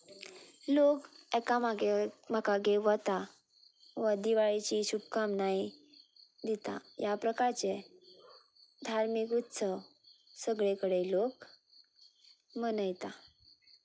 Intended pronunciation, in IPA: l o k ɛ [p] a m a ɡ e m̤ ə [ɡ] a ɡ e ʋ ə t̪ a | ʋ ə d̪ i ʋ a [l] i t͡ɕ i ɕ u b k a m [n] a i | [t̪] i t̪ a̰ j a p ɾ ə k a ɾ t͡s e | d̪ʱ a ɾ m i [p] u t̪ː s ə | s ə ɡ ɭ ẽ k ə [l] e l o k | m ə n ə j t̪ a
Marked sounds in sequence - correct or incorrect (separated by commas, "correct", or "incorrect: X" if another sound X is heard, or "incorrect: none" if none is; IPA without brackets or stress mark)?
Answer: incorrect: k, incorrect: k, incorrect: ɭ, correct, incorrect: d̪, incorrect: k, incorrect: ɽ